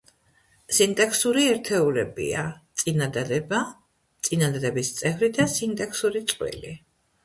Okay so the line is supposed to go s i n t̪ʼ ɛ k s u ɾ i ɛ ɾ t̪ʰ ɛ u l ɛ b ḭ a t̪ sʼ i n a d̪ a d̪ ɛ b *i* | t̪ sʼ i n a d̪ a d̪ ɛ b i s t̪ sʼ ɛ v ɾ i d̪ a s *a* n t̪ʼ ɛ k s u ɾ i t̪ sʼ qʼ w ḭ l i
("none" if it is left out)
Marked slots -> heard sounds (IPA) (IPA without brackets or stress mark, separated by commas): a, i